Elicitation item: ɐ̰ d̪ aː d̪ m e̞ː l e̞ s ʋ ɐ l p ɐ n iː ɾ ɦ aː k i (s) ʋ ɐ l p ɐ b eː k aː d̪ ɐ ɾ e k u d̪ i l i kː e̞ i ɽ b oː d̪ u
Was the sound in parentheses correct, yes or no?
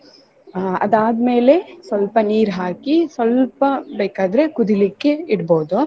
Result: yes